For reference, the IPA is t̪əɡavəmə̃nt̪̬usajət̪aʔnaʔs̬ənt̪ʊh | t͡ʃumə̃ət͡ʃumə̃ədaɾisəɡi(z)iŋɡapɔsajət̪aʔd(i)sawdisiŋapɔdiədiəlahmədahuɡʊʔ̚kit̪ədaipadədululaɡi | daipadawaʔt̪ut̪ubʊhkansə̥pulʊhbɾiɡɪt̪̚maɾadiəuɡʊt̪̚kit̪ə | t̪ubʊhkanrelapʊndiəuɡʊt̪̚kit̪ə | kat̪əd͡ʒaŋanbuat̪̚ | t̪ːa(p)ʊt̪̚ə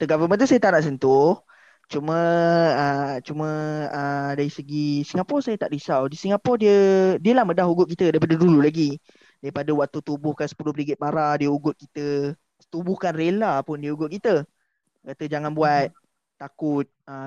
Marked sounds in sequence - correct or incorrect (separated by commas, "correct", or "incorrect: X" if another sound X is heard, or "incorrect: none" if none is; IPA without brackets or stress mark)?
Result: incorrect: s, correct, incorrect: k